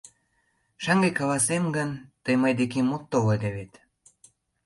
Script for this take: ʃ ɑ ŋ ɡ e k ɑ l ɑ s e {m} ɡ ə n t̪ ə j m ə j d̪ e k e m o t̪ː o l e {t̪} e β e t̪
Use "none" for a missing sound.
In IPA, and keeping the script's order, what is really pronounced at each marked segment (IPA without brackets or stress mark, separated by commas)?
m, d̪